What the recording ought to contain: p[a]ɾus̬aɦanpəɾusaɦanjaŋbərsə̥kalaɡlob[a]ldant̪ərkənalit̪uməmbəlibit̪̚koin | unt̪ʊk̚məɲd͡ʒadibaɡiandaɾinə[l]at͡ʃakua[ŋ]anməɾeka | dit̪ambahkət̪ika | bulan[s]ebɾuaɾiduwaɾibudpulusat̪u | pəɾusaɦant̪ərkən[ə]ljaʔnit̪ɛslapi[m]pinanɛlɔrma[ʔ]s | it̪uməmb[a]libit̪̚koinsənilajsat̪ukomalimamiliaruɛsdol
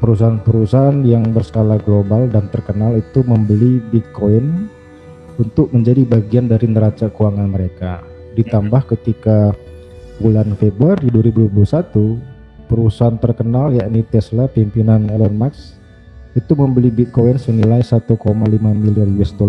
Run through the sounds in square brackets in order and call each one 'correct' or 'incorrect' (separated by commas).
incorrect, correct, incorrect, correct, incorrect, incorrect, correct, incorrect, incorrect